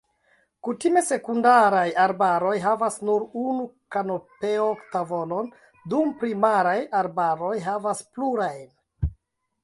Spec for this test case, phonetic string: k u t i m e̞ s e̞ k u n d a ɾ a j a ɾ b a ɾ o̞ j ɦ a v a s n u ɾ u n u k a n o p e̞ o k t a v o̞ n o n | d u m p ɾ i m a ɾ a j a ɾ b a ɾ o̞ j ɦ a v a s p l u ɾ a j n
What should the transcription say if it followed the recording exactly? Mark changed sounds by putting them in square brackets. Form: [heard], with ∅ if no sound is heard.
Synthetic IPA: k u t i m e̞ s e̞ k u n d a ɾ a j a ɾ b a ɾ o̞ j ɦ a v a s n u ɾ u n u k a n o p e̞ o k t a v o̞ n o n | d u m p ɾ i m a ɾ a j a ɾ b a ɾ o̞ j ɦ a v a s p l u ɾ a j n

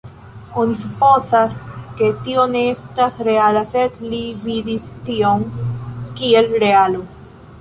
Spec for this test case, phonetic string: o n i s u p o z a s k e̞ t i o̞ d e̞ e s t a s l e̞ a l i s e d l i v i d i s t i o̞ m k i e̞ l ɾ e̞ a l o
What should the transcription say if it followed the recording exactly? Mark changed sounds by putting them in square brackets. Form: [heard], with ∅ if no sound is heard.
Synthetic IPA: o n i s u p o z a s k e̞ t i o̞ [n] e̞ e s t a s [ɾ] e̞ a l [a] s e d l i v i d i s t i o̞ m k i e̞ l ɾ e̞ a l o

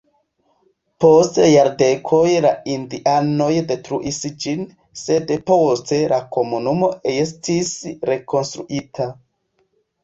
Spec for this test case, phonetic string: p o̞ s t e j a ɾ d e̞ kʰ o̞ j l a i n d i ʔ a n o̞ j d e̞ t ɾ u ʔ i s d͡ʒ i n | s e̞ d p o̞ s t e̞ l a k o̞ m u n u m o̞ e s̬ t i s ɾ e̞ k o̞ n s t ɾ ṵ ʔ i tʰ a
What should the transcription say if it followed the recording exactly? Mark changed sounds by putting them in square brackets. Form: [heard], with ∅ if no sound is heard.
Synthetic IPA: p o̞ s t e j a ɾ d e̞ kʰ o̞ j l a i n d i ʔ a n o̞ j d e̞ t ɾ u ʔ i s d͡ʒ i n | s e̞ d p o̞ s t e̞ l a k o̞ m u n u m o̞ e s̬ t i s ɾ e̞ k o̞ n s t ɾ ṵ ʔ i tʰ a

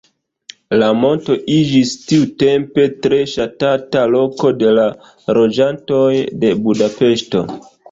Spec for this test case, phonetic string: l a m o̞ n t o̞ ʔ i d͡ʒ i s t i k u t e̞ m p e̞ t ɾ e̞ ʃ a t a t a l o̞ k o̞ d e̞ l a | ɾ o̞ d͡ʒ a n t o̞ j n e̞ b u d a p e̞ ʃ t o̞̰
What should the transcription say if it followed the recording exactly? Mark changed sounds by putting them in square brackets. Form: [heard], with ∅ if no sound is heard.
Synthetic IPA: l a m o̞ n t o̞ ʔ i d͡ʒ i s t i [∅] u t e̞ m p e̞ t ɾ e̞ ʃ a t a t a l o̞ k o̞ d e̞ l a | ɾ o̞ d͡ʒ a n t o̞ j [d] e̞ b u d a p e̞ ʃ t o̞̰

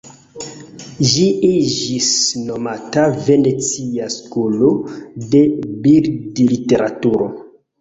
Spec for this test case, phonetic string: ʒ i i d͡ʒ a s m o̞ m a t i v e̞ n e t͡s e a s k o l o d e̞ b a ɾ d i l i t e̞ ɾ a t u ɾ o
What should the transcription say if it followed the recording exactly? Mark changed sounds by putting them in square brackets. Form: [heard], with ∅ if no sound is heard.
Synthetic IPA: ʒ i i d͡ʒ [i] s [n] o̞ m a t [a] v e̞ n e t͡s [i] a s k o l o d e̞ b [i] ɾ d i l i t e̞ ɾ a t u ɾ o

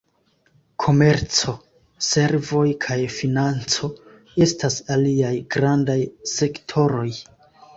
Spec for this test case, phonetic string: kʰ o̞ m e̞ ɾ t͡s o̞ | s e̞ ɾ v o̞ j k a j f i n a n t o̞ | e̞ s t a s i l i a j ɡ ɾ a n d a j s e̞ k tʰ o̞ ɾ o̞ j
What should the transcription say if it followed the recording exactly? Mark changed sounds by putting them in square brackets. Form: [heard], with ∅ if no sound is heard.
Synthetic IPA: kʰ o̞ m e̞ ɾ t͡s o̞ | s e̞ ɾ v o̞ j [kʰ] a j f i n a n [t͡s] o̞ | e̞ s t a s [a] l i a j ɡ ɾ a n d a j s e̞ k tʰ o̞ ɾ o̞ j

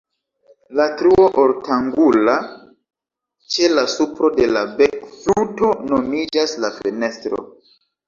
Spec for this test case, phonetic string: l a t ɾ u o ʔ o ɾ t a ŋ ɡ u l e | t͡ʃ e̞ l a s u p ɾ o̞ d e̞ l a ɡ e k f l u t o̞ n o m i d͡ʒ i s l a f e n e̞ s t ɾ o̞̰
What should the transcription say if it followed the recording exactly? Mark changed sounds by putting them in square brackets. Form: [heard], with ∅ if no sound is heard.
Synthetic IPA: l a t ɾ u o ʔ o ɾ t a ŋ ɡ u l [a] | t͡ʃ e̞ l a s u p ɾ o̞ d e̞ l a [b] e k f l u t o̞ n o m i d͡ʒ [a] s l a f e n e̞ s t ɾ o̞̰

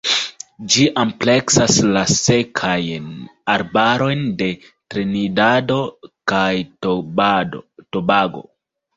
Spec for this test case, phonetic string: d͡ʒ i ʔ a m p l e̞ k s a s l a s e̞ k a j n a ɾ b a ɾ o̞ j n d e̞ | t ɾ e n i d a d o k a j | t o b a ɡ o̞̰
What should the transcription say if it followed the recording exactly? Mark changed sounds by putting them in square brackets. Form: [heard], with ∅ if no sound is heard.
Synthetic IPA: d͡ʒ i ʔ a m p l e̞ k s a s l a s e̞ [kʰ] a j n a ɾ b a ɾ o̞ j n d e̞ | t ɾ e n i d a d o k a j | t o b a ɡ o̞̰

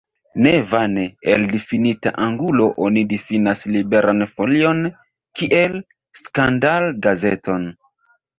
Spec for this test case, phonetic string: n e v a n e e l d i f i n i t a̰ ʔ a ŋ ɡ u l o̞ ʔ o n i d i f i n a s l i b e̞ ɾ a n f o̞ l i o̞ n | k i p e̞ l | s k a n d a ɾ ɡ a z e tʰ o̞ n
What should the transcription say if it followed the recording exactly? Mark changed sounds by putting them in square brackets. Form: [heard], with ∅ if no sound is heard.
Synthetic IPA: n e v a n e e l d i f i n i t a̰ ʔ a ŋ ɡ u l o̞ ʔ o n i d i f i n a s l i b e̞ ɾ a n f o̞ l i o̞ n | k i [ʔ] e̞ l | s k a n d a [l] ɡ a z e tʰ o̞ n

